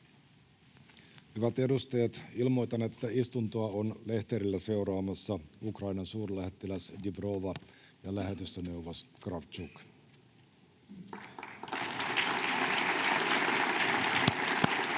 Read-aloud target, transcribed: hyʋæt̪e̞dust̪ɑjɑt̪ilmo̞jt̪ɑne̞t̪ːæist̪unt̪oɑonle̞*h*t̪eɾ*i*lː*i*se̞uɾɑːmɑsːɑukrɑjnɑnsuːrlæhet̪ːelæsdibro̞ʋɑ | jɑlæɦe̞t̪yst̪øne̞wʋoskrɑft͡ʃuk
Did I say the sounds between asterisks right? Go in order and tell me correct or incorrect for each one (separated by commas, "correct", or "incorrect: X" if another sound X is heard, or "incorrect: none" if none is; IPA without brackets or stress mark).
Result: correct, correct, incorrect: æ